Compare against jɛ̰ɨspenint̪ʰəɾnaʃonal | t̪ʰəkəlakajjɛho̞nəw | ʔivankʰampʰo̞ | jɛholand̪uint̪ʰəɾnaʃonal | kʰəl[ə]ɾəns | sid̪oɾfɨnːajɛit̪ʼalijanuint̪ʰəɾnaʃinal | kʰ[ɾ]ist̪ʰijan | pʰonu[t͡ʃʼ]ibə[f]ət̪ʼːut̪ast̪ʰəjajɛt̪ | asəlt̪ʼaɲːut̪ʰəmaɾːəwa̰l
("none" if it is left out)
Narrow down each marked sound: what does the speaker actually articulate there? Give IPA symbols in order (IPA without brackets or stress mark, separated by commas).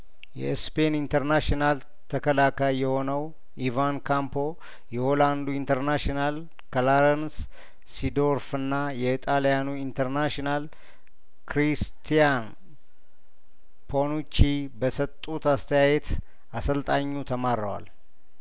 a, ɾ, t͡ʃ, s